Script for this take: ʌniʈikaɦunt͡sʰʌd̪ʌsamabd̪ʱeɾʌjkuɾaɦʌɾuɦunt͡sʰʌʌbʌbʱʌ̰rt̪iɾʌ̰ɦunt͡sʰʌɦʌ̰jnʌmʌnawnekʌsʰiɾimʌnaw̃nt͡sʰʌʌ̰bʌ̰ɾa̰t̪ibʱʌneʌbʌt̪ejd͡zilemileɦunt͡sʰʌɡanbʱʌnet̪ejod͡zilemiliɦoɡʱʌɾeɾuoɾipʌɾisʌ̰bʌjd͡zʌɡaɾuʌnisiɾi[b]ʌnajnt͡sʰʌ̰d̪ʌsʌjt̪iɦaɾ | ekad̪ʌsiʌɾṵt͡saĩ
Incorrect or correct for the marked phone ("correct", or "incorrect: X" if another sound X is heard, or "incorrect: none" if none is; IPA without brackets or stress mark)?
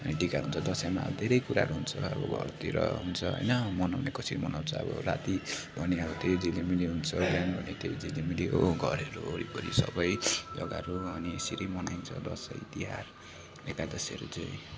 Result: incorrect: m